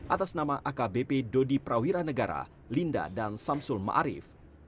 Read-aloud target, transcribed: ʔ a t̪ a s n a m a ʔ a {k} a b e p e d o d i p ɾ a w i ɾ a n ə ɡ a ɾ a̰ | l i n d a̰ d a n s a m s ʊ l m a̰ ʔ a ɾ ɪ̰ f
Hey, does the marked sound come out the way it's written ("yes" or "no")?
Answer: yes